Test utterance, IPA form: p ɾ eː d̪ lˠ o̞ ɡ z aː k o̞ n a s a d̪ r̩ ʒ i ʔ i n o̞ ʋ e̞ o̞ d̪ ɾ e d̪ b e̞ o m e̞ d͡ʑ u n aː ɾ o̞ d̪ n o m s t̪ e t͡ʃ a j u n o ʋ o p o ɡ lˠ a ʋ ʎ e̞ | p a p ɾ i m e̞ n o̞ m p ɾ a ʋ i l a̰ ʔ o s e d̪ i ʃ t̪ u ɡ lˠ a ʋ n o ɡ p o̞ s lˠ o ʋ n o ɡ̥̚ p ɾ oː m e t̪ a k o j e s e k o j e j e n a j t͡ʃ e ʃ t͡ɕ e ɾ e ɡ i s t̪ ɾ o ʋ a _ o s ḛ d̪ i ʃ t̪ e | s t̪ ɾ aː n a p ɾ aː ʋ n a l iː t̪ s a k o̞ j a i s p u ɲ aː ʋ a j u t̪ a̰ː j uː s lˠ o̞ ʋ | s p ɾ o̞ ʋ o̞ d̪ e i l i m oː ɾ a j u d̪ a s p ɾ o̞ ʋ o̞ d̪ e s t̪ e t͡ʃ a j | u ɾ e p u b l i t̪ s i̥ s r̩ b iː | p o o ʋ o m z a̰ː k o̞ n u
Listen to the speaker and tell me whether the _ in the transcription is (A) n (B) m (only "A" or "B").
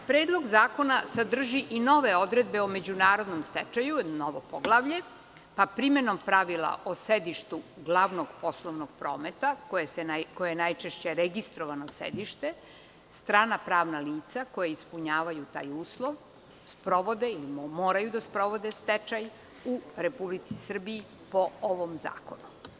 A